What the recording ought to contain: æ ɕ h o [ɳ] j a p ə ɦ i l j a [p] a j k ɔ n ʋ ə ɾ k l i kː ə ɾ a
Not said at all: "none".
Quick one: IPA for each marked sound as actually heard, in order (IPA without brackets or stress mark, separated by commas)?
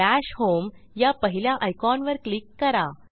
m, ʔ